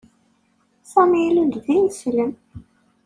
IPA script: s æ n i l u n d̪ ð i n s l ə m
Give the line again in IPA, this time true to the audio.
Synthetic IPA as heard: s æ m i l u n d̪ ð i n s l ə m